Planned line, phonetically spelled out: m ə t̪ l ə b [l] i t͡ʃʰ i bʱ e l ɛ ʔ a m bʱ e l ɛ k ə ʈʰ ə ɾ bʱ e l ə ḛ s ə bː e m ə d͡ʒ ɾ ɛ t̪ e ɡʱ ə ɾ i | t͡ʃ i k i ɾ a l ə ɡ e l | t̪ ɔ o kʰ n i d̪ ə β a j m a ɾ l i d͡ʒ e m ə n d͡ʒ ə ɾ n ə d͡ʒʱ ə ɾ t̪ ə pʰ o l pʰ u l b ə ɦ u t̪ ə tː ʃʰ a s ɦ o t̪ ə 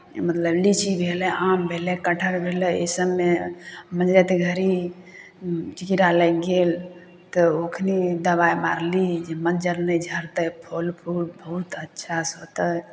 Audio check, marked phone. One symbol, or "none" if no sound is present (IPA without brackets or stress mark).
l